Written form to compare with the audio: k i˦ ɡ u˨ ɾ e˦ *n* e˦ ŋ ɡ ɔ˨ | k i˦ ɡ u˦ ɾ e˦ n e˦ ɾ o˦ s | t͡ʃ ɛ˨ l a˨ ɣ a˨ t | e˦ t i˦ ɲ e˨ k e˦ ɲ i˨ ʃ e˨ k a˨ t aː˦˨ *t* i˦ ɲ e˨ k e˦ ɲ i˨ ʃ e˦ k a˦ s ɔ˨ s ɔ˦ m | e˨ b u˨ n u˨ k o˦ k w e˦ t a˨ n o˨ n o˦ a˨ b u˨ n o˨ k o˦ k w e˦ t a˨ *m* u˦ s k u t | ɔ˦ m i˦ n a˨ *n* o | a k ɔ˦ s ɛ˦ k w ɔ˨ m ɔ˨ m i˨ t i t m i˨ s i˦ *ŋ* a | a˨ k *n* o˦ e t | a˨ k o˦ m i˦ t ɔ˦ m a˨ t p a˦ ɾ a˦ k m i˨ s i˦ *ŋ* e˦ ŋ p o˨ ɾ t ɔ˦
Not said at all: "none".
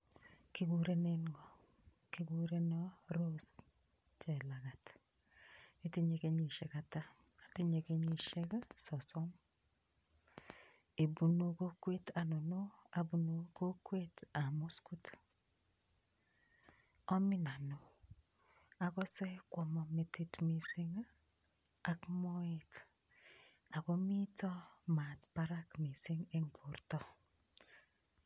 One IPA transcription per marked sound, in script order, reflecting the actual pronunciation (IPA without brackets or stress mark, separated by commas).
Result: n, t, m, n, ŋ, m, ŋ